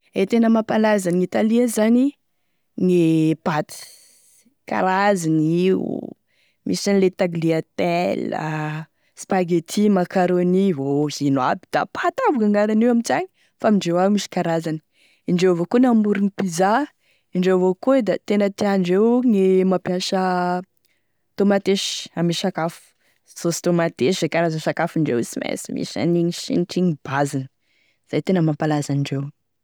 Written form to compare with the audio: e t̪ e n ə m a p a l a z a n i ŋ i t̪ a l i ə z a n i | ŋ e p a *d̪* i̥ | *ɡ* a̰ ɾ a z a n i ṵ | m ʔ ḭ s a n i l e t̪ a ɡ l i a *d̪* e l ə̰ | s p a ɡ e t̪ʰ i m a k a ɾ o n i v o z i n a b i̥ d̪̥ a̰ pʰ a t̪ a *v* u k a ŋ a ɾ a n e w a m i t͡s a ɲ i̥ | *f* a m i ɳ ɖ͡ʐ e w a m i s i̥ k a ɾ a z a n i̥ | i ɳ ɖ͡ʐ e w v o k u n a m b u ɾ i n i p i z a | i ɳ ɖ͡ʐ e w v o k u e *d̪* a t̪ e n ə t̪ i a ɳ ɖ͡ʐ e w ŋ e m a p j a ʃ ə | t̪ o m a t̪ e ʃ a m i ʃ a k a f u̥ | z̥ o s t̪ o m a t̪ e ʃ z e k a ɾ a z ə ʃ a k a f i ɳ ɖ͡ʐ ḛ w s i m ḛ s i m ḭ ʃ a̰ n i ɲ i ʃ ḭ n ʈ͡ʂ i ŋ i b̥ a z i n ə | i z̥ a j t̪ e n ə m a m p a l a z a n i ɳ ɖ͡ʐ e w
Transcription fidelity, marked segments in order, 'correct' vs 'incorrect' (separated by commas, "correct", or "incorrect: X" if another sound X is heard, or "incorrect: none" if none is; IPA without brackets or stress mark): incorrect: t̪, incorrect: k, incorrect: t̪, correct, correct, correct